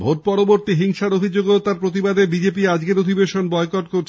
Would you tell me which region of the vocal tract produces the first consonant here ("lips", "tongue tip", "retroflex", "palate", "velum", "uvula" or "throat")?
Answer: lips